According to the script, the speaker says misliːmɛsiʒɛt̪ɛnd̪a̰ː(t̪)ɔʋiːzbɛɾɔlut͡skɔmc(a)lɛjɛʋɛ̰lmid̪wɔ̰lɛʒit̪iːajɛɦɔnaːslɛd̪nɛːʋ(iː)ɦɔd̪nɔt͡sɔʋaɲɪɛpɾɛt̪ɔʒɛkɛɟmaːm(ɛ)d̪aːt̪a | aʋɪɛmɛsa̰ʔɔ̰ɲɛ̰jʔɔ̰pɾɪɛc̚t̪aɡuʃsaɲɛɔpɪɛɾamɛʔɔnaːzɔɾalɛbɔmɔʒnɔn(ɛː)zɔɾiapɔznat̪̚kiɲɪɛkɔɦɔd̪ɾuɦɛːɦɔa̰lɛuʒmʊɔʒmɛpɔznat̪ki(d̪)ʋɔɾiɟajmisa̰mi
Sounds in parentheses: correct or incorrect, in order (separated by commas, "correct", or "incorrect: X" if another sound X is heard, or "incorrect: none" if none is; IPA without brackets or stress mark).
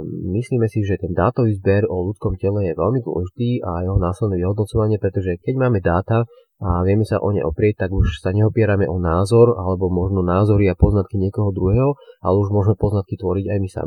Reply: correct, incorrect: ɛ, incorrect: i, correct, incorrect: aː, incorrect: t̪